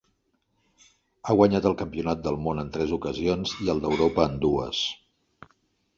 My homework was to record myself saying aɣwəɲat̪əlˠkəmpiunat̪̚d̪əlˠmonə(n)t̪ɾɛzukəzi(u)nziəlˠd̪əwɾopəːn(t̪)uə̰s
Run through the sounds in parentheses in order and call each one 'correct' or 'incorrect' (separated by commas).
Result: correct, incorrect, incorrect